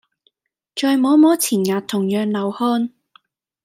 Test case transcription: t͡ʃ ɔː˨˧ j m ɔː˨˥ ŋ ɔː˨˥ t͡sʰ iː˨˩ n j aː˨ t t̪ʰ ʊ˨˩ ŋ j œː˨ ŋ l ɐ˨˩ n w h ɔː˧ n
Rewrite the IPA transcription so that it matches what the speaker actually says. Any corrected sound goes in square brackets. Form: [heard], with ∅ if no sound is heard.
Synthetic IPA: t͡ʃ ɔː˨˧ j m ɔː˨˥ [m] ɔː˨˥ t͡sʰ iː˨˩ n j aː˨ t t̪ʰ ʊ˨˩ ŋ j œː˨ ŋ l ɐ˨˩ [∅] w h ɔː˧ n